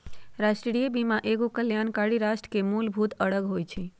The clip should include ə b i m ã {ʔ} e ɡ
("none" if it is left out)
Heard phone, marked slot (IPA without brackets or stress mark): ʔ